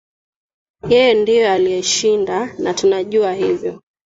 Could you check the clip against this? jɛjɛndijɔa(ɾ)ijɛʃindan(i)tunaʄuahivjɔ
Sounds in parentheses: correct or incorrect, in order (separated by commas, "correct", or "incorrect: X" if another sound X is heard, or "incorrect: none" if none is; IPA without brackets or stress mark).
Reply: incorrect: l, incorrect: a